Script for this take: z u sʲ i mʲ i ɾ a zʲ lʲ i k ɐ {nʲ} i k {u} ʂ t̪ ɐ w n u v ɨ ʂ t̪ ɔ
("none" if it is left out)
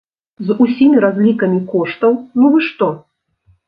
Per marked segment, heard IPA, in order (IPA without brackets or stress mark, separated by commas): mʲ, ɔ